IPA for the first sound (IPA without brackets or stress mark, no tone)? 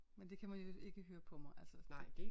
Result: m